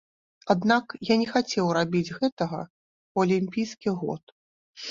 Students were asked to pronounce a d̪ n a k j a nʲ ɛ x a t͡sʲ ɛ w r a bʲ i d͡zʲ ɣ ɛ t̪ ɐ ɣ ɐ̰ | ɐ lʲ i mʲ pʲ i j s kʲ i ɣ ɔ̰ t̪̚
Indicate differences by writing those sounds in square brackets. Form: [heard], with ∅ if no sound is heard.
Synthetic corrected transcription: a d̪ n a k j a nʲ ɛ x a t͡sʲ ɛ w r a bʲ i d͡zʲ ɣ ɛ t̪ ɐ ɣ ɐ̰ | ɐ lʲ i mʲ pʲ i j s kʲ i ɣ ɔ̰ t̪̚